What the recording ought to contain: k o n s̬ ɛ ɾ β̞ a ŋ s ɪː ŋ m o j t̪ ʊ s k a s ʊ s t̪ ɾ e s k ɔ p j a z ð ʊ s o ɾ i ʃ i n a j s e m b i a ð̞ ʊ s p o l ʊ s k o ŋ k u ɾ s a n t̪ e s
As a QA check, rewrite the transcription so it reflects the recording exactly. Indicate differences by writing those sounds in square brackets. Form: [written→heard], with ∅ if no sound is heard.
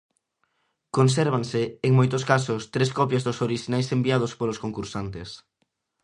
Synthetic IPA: k o n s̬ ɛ ɾ β̞ a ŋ s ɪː ŋ m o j t̪ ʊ s k a s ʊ s t̪ ɾ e s k ɔ p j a z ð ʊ s o ɾ i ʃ i n a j s e m b i a ð̞ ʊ s p o l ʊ s k o ŋ k u ɾ s a n t̪ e s